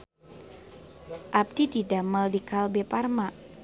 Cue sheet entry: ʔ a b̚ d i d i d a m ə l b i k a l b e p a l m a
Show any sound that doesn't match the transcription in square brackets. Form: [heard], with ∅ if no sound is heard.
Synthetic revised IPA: ʔ a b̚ d i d i d a m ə l [d] i k a l b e p a [r] m a